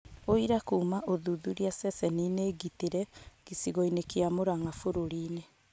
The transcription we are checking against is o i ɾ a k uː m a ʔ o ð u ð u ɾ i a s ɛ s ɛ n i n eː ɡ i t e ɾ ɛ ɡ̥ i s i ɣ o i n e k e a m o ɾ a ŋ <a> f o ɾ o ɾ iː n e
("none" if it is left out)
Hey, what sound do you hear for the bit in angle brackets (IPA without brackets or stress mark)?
a